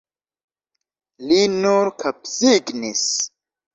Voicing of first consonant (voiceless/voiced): voiced